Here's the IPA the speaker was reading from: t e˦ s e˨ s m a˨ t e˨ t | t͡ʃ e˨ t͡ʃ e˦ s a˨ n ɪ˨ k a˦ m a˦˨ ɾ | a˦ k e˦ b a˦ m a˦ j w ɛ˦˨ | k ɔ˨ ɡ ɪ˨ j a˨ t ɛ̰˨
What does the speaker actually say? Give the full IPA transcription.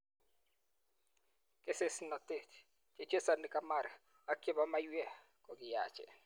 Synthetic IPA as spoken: k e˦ s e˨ s n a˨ t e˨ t | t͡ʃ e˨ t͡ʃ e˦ s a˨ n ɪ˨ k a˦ m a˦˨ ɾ | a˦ k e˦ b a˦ m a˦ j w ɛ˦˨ | k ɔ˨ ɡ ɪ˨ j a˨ t͡ʃ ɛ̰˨